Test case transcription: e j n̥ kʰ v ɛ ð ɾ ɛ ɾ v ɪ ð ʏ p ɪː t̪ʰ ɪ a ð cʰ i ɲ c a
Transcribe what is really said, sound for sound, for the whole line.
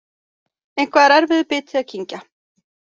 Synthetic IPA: e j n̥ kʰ v a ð ɾ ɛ ɾ v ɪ ð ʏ p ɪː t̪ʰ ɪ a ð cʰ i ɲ c a